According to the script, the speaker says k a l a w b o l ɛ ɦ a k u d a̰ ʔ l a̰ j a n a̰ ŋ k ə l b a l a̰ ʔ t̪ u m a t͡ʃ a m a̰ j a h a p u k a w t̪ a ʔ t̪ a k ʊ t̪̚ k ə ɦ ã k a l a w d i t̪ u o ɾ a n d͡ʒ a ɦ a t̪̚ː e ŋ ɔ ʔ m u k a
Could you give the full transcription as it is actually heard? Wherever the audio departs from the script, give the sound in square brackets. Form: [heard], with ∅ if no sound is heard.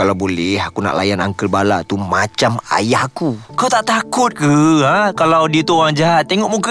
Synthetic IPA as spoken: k a l a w b o l ɛ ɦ a k u [n] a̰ ʔ l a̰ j a n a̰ ŋ k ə l b a l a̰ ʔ t̪ u m a t͡ʃ a m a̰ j a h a [k] u k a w t̪ a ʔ t̪ a k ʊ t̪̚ k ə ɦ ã k a l a w d i t̪ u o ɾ a [ŋ] d͡ʒ a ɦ a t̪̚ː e ŋ ɔ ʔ m u k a